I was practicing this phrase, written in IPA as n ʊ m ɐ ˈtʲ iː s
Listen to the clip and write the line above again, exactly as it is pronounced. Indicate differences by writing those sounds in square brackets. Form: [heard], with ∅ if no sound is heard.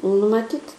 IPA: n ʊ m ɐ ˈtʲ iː [t]

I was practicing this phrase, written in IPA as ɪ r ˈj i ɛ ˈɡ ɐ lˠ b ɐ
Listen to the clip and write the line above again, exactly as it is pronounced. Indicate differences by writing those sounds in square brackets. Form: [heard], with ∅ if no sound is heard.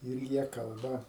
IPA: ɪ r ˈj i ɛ [ˈk] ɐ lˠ b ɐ

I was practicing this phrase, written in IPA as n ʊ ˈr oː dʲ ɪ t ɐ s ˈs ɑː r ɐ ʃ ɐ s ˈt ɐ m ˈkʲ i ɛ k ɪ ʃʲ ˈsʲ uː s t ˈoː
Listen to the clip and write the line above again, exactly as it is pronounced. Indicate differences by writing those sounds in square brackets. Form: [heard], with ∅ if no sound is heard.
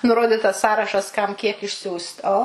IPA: n ʊ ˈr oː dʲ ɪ t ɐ s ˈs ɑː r ɐ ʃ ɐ s [ˈk] ɐ m ˈkʲ i ɛ k ɪ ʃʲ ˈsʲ uː s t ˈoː

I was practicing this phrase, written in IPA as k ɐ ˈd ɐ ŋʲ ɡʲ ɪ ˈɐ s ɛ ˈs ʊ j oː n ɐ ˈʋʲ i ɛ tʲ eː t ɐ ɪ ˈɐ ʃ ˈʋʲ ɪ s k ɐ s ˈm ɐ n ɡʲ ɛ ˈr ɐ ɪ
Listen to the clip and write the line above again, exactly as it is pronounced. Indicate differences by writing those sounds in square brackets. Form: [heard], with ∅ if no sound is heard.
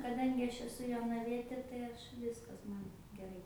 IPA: k ɐ ˈd ɐ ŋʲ ɡʲ ɪ ˈɐ [ʃ] ɛ ˈs ʊ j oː n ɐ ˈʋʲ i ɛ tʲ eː t ɐ ɪ ˈɐ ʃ ˈʋʲ ɪ s k ɐ s ˈm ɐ n ɡʲ ɛ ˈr ɐ ɪ

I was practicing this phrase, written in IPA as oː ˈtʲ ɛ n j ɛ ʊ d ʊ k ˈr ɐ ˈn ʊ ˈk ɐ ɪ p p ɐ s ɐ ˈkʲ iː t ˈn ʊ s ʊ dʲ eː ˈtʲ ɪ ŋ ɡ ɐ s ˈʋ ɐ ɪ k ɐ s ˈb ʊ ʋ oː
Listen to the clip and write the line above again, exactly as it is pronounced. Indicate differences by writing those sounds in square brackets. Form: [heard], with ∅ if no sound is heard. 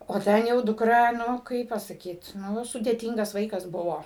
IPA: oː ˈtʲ ɛ n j ɛ ʊ d ʊ k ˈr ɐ ˈn ʊ ˈk ɐ ɪ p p ɐ s ɐ ˈkʲ iː t ˈn ʊ s ʊ dʲ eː ˈtʲ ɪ ŋ ɡ ɐ s ˈʋ ɐ ɪ k ɐ s ˈb ʊ ʋ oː

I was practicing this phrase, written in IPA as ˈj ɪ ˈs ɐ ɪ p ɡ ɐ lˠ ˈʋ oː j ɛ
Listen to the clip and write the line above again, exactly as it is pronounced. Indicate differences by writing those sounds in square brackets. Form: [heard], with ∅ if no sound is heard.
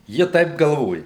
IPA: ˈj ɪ [ˈt] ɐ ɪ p ɡ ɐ lˠ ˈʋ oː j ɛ

